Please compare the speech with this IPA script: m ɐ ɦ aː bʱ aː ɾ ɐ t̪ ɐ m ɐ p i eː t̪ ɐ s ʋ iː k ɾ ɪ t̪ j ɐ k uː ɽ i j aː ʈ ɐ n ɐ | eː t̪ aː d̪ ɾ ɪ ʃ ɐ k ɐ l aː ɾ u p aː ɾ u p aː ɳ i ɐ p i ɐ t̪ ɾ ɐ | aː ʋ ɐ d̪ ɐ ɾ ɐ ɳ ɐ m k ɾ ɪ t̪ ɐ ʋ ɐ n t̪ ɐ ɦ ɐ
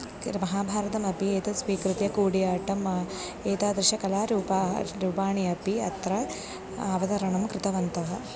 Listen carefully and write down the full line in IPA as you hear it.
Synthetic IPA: m ɐ ɦ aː bʱ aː ɾ ɐ t̪ ɐ m ɐ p i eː t̪ ɐ s ʋ iː k ɾ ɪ t̪ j ɐ k uː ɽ i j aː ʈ ɐ m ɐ | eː t̪ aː d̪ ɾ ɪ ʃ ɐ k ɐ l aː ɾ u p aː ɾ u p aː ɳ i ɐ p i ɐ t̪ ɾ ɐ | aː ʋ ɐ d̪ ɐ ɾ ɐ ɳ ɐ m k ɾ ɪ t̪ ɐ ʋ ɐ n t̪ ɐ ɦ ɐ